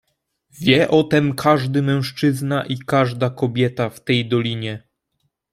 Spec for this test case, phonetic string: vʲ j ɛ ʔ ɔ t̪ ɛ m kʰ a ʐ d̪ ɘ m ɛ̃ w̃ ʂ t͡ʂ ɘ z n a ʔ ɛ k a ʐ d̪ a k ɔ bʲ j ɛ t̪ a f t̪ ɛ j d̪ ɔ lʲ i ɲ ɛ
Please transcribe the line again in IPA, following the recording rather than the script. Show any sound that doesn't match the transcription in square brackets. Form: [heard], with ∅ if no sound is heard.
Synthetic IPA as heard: vʲ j ɛ ʔ ɔ t̪ ɛ m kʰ a ʐ d̪ ɘ m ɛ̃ w̃ ʂ t͡ʂ ɘ z n a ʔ [i] k a ʐ d̪ a k ɔ bʲ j ɛ t̪ a f t̪ ɛ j d̪ ɔ lʲ i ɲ ɛ